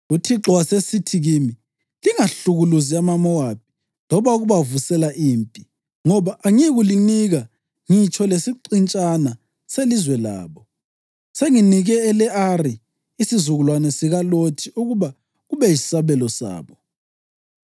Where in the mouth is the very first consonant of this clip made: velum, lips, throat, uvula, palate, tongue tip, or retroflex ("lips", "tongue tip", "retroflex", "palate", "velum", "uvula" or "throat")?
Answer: tongue tip